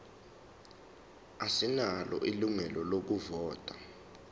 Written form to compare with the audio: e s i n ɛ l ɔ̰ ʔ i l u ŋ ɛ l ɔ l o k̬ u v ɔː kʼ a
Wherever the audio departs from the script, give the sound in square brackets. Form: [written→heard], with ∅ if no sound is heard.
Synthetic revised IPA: [e→a] s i n [ɛ→a] l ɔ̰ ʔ i l u ŋ ɛ l ɔ l o k̬ u v ɔː [kʼ→tʼ] a